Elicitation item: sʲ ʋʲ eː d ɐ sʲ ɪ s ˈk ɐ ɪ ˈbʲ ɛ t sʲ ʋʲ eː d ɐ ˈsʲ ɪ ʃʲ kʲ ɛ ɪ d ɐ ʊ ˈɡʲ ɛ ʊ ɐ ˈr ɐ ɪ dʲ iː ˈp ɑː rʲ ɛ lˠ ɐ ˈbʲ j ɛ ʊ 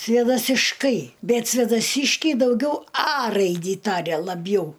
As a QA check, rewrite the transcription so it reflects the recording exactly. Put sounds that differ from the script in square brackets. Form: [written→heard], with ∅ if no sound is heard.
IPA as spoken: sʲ ʋʲ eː d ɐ sʲ ɪ [s→ʃ] ˈk ɐ ɪ ˈbʲ ɛ t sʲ ʋʲ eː d ɐ ˈsʲ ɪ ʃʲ kʲ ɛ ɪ d ɐ ʊ ˈɡʲ ɛ ʊ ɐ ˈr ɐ ɪ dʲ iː [ˈp→ˈt] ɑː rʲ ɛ lˠ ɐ ˈbʲ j ɛ ʊ